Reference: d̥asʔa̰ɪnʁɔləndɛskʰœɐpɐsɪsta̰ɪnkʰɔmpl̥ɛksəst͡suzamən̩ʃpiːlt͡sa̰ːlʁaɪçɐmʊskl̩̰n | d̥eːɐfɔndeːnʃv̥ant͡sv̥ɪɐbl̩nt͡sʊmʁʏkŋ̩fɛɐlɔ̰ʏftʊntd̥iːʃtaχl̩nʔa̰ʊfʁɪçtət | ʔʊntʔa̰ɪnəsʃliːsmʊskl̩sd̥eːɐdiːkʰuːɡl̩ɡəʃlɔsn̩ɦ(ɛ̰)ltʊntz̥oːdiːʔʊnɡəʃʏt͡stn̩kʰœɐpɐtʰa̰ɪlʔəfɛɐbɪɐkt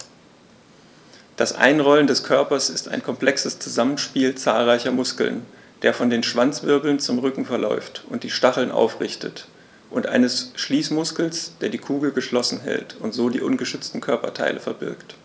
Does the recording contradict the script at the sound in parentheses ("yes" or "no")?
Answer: no